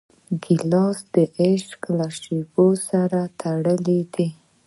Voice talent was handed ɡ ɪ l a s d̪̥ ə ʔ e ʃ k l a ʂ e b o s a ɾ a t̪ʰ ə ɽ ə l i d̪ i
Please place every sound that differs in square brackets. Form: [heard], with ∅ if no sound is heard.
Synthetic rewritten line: ɡ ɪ l [ɑ] s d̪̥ ə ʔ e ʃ k l a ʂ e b o s a ɾ a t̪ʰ [a] ɽ ə l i d̪ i